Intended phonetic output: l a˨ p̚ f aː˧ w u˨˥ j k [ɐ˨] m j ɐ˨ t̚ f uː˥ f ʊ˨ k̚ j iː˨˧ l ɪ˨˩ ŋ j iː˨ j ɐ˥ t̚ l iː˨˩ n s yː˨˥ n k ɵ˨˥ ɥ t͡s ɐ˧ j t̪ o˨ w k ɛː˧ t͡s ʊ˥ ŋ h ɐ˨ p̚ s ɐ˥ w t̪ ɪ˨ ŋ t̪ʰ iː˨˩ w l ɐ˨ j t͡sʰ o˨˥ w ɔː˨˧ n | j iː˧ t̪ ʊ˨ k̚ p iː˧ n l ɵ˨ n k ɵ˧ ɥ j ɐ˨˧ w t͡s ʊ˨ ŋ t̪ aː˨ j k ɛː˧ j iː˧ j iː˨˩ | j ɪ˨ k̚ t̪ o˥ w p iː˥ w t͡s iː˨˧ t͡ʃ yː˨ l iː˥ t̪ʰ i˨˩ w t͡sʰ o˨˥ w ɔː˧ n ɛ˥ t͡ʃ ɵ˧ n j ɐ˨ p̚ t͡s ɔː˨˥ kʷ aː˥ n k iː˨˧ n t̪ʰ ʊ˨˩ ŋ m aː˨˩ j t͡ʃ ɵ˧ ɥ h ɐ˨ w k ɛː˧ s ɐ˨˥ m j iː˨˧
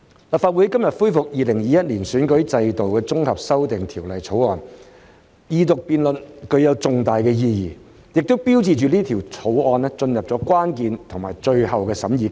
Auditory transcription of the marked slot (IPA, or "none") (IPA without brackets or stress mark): ɐ˥